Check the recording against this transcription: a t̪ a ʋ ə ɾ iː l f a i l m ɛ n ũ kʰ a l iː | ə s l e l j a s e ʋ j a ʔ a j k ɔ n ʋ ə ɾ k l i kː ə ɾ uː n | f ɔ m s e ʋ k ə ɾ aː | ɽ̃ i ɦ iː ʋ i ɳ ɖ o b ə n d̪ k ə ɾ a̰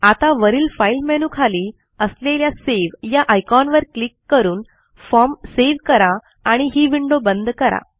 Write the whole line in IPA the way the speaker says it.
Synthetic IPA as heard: a t̪ a ʋ ə ɾ iː l f a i l m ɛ n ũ kʰ a l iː | ə s l e l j a s e ʋ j a ʔ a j k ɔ n ʋ ə ɾ k l i kː ə ɾ uː n | f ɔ m s e ʋ k ə ɾ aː | ɽ̃ i ɦ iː ʋ i ɳ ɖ o b ə n d̪ k ə ɾ a̰